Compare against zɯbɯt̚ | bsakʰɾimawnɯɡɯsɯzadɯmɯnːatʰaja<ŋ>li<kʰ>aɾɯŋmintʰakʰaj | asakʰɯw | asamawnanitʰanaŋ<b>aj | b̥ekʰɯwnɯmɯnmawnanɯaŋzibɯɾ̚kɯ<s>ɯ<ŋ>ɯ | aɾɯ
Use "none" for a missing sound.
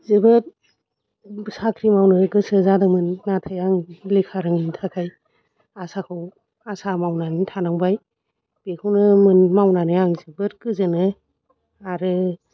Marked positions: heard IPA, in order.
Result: ŋ, kʰ, b, z, n

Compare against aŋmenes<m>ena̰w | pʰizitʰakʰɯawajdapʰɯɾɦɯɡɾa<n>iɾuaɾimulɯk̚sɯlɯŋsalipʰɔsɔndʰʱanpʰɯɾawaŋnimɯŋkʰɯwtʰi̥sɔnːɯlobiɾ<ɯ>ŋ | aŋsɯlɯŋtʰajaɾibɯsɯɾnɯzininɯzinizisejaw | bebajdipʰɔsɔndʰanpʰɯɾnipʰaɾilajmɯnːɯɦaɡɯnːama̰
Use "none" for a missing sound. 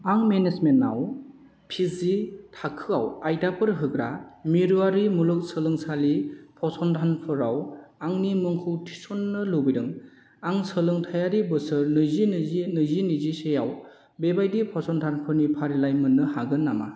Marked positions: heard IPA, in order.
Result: m, m, ɯ

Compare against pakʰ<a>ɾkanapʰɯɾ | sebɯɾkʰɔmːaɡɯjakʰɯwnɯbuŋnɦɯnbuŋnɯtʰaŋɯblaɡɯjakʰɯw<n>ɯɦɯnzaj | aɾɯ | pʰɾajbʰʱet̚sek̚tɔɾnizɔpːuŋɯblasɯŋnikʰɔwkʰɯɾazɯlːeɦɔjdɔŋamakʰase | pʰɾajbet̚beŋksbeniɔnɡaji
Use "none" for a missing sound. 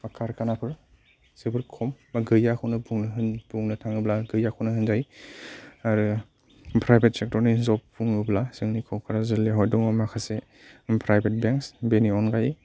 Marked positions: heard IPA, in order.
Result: a, n

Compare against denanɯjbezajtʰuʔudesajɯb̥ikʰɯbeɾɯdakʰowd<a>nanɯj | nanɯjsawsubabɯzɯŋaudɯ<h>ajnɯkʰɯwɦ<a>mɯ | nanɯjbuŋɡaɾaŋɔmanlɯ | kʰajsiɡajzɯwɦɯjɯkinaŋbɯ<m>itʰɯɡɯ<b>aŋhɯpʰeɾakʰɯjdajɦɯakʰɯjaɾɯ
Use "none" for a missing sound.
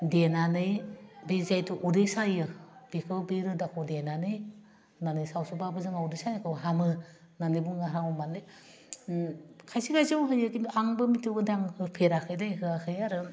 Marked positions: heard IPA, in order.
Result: e, s, a, m, d

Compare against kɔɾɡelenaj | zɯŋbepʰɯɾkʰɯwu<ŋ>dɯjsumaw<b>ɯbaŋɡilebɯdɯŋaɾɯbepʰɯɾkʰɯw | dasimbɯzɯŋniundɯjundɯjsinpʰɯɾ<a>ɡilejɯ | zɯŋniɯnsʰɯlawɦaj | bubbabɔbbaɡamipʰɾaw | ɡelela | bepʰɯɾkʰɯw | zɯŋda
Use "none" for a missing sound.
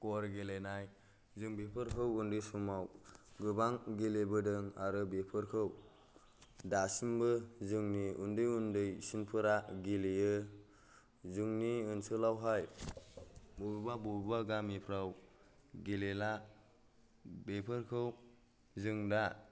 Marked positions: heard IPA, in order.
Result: n, ɡ, a

